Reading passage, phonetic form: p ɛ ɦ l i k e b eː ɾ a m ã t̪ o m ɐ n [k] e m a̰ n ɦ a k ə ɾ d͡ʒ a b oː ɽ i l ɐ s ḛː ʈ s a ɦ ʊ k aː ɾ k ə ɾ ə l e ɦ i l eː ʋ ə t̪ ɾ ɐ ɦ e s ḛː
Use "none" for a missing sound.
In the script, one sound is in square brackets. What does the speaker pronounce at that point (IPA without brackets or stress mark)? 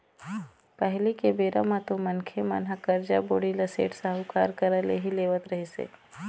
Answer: kʰ